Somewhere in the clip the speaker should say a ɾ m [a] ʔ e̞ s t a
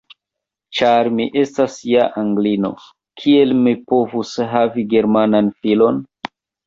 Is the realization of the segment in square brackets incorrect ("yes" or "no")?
yes